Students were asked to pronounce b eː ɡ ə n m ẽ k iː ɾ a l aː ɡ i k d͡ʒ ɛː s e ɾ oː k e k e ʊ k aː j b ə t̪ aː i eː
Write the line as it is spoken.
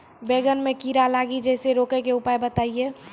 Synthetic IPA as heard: b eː ɡ ə n m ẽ k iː ɾ a l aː ɡ i d͡ʒ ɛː s e ɾ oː k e k e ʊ p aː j b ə t̪ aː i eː

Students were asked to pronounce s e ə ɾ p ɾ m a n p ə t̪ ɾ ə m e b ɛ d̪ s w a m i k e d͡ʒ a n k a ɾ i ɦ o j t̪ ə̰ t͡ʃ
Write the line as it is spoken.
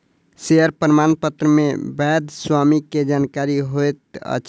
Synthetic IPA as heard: s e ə ɾ p ɾ m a n p ə t̪ ɾ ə m e b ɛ d̪ s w a m i k e d͡ʒ a n k a ɾ i ɦ o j t̪ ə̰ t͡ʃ

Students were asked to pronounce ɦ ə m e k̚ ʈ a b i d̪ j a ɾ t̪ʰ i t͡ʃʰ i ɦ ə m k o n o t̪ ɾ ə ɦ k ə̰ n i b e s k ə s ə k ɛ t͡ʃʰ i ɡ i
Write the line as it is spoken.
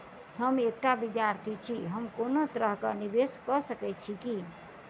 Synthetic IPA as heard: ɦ ə m e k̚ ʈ a b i d̪ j a ɾ t̪ʰ i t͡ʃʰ i ɦ ə m k o n o t̪ ɾ ə ɦ k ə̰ n i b e s k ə s ə k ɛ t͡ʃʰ i k i

